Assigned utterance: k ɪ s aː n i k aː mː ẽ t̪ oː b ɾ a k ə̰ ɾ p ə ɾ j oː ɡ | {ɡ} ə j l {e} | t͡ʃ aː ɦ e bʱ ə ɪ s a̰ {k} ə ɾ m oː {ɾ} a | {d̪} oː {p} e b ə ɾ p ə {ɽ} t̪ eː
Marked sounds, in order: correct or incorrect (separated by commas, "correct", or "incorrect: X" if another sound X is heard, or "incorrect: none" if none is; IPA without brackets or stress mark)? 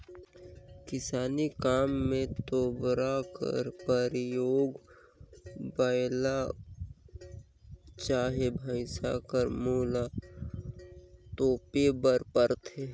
incorrect: b, incorrect: a, correct, incorrect: l, incorrect: t̪, correct, incorrect: ɾ